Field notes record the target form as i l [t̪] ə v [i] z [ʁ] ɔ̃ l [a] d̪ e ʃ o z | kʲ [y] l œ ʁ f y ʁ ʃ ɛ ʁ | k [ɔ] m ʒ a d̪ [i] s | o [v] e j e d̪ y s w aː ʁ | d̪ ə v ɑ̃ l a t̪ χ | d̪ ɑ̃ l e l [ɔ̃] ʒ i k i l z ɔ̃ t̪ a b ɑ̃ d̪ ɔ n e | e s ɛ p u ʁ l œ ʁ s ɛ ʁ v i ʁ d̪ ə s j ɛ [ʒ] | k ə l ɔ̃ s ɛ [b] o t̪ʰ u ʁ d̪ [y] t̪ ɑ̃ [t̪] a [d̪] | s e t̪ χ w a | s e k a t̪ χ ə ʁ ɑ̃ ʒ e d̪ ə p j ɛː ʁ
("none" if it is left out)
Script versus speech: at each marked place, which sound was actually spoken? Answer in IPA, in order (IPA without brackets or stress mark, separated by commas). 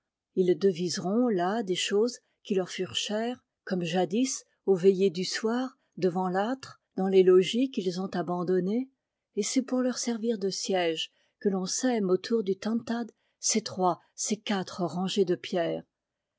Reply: d̪, i, ʁ, a, i, ɔ, i, v, ɔ, ʒ, m, y, t̪, d̪